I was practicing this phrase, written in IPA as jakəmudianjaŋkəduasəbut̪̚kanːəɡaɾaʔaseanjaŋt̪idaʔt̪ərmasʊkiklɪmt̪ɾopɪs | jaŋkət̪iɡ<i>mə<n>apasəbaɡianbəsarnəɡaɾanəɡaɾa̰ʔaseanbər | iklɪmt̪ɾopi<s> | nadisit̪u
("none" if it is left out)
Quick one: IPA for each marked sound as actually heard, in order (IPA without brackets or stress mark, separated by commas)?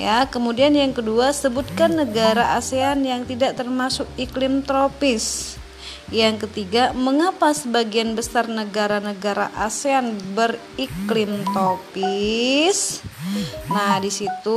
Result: a, ŋ, s